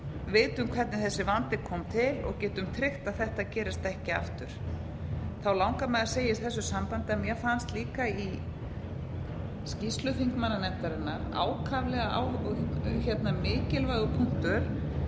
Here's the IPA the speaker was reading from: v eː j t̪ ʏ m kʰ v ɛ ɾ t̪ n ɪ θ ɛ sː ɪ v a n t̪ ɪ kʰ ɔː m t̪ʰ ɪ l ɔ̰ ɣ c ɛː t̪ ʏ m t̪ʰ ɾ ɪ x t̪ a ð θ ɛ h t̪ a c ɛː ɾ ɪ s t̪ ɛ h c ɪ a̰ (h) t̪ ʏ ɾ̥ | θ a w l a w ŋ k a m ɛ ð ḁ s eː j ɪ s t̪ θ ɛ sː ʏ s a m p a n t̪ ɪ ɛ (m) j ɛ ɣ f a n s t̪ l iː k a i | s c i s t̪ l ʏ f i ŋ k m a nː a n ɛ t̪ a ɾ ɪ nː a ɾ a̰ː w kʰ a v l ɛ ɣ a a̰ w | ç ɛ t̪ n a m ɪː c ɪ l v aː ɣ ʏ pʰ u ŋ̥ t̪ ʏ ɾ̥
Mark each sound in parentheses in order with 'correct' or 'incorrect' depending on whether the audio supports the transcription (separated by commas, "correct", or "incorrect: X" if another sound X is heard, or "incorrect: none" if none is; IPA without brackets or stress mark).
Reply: incorrect: f, correct